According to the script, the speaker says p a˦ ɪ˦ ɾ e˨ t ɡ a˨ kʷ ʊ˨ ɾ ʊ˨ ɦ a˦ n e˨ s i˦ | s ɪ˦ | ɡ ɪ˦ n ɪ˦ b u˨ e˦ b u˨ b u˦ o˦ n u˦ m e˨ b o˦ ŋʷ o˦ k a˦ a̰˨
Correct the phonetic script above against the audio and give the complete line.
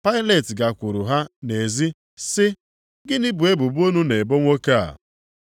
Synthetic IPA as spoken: p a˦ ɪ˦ l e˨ t ɡ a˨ kʷ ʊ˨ ɾ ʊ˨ ɦ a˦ n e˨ z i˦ | s ɪ˦ | ɡ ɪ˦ n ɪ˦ b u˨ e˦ b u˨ b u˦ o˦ n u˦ n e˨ b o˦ ŋʷ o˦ k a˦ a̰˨